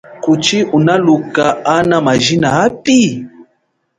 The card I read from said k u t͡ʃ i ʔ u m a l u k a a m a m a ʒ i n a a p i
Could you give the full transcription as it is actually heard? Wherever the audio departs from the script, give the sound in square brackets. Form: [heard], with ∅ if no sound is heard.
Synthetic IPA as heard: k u t͡ʃ i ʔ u [n] a l u k a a [n] a m a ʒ i n a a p i